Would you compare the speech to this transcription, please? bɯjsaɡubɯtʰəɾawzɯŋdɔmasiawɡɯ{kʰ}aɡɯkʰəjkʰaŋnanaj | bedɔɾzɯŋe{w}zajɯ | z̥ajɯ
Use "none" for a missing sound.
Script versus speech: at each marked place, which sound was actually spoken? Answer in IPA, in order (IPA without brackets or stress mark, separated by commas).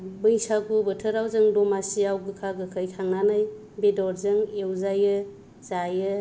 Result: kʰ, w